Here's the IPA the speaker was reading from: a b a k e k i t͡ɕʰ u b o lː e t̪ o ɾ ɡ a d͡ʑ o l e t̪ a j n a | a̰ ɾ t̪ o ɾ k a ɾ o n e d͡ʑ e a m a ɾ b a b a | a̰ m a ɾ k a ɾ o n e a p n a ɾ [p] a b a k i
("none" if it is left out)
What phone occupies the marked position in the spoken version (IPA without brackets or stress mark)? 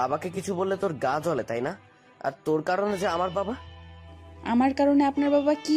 b